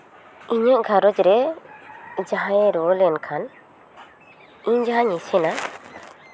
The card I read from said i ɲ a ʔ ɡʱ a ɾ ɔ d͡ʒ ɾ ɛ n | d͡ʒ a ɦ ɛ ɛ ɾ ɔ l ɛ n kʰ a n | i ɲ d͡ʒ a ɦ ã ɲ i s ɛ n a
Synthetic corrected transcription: i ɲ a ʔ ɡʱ a ɾ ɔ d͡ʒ ɾ ɛ | d͡ʒ a ɦ a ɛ ɾ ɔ l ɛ n kʰ a n | i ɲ d͡ʒ a ɦ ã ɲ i s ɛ n a